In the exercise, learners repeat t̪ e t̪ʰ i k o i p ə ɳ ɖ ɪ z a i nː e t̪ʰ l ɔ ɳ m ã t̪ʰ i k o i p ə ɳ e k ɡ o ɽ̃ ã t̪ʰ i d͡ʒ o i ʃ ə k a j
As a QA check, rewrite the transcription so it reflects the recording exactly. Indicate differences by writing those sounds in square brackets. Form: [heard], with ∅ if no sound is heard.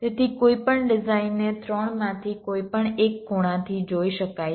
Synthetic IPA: t̪ e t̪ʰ i k o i p ə ɳ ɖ ɪ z a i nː e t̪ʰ [ɾ] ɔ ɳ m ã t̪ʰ i k o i p ə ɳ e k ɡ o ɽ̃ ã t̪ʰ i d͡ʒ o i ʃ ə k a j